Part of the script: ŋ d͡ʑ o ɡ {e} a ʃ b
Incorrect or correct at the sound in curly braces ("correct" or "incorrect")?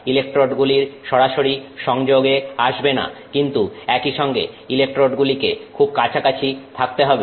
correct